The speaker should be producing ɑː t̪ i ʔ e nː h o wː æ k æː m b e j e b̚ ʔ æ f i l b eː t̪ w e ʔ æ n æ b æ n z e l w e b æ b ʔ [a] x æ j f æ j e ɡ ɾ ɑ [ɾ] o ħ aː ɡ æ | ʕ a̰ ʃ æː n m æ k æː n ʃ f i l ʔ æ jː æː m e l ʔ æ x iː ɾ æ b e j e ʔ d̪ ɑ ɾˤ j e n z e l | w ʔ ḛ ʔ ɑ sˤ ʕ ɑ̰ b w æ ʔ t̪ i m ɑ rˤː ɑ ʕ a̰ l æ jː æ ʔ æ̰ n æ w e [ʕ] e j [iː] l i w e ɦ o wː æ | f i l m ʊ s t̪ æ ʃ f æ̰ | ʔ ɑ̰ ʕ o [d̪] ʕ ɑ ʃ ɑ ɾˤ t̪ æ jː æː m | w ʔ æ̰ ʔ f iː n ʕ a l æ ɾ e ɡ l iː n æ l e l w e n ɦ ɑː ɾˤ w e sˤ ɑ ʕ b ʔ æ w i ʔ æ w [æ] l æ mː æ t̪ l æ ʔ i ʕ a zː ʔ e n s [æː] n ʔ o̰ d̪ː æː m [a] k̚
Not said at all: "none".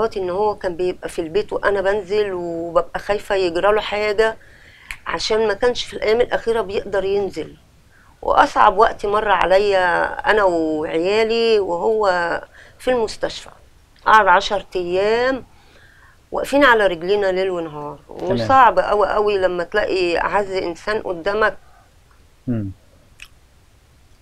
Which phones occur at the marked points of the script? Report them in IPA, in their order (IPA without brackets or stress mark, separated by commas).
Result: æ, l, ʕ, æː, d̪, i, æː, æ